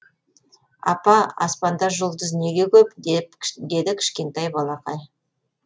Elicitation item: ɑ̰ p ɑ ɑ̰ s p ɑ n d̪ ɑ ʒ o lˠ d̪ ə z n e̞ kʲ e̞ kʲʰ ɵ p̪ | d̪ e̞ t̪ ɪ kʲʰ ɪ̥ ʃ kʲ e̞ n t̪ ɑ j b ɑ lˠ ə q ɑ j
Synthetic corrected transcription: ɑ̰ p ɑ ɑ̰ s p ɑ n d̪ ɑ ʒ o lˠ d̪ ə z n e̞ ɡʲ e̞ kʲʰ ɵ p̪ | d̪ e̞ d̪ ɪ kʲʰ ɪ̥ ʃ kʲ e̞ n t̪ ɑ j b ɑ lˠ ɑ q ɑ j